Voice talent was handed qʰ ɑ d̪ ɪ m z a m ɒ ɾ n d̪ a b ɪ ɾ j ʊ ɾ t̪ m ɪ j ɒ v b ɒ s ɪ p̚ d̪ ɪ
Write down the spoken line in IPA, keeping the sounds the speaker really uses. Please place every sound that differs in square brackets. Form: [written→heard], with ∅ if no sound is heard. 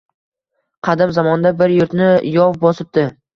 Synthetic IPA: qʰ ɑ d̪ ɪ m z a m ɒ [ɾ→∅] n d̪ a b ɪ ɾ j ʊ ɾ t̪ [m→n] ɪ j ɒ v b ɒ s ɪ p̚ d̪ ɪ